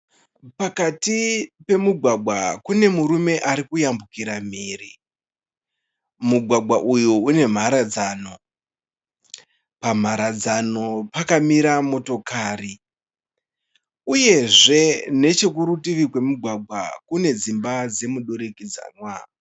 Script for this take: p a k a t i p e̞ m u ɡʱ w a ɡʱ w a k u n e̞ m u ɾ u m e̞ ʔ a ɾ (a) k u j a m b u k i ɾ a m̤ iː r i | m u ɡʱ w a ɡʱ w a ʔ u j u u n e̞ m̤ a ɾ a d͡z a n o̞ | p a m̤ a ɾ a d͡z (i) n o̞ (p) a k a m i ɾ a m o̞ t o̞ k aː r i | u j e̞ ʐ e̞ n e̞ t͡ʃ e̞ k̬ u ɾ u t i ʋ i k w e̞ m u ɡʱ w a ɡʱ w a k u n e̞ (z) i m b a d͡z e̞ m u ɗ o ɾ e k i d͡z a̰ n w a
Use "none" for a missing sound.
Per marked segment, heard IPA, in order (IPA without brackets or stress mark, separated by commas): i, a, p, d͡z